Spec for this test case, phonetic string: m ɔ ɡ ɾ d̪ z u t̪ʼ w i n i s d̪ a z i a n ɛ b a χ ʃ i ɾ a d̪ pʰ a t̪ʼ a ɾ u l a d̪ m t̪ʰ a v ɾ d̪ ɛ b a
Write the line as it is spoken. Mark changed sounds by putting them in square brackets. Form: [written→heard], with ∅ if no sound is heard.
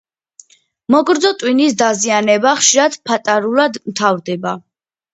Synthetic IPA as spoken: m ɔ ɡ ɾ d̪ z [u→ɔ] t̪ʼ w i n i s d̪ a z i a n ɛ b a χ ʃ i ɾ a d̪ pʰ a t̪ʼ a ɾ u l a d̪ m t̪ʰ a v ɾ d̪ ɛ b a